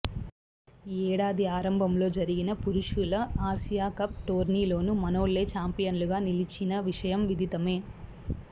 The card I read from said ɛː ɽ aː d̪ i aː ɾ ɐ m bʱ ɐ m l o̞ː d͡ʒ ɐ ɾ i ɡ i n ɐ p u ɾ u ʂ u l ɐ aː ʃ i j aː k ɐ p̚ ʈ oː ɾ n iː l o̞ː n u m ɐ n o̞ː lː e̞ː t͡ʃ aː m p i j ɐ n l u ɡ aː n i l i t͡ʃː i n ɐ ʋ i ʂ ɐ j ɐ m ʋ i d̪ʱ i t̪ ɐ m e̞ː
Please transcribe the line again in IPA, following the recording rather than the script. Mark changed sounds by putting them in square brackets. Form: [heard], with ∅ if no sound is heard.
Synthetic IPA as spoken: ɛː ɽ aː d̪ i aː ɾ ɐ m bʱ ɐ m l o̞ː d͡ʒ ɐ ɾ i ɡ i n ɐ p u ɾ u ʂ u l ɐ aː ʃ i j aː k ɐ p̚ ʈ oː ɾ n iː l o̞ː n u m ɐ n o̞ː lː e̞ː t͡ʃ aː m p i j ɐ n l u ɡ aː n i l i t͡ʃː i n ɐ ʋ i ʂ ɐ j ɐ m ʋ i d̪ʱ i t̪ ɐ m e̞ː